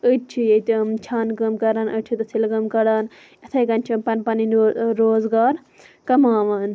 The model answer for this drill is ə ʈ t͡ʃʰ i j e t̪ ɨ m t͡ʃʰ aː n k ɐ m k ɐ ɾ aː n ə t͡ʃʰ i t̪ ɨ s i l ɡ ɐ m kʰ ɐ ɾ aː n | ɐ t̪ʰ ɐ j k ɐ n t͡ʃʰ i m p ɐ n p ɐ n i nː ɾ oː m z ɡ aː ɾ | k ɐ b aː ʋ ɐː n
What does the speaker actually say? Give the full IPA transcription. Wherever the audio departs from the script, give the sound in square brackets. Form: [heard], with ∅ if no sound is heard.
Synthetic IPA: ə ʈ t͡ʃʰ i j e t̪ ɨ m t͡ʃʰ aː n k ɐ m k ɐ ɾ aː n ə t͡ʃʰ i t̪ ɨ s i l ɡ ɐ m [k] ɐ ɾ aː n | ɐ t̪ʰ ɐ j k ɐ n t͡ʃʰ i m p ɐ n p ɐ n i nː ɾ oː [∅] z ɡ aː ɾ | k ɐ [m] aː ʋ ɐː n